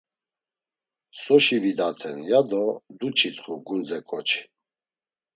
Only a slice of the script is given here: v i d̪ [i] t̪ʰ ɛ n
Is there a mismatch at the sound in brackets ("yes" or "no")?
yes